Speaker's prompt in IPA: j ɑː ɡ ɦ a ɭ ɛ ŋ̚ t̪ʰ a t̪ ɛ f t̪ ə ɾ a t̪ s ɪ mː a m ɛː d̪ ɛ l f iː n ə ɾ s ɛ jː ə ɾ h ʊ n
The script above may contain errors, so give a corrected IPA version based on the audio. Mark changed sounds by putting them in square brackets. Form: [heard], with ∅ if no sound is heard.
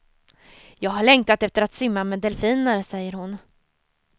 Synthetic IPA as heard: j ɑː ɡ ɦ a ɭ ɛ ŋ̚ [t̪] a t̪ ɛ f t̪ ə ɾ a t̪ s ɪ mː a m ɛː d̪ ɛ l f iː n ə ɾ s ɛ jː ə ɾ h ʊ n